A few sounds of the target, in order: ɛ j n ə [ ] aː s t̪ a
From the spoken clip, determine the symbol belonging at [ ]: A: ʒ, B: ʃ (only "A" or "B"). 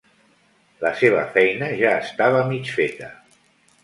A